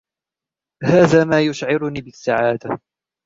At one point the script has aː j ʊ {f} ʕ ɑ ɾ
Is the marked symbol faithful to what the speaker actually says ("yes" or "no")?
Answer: no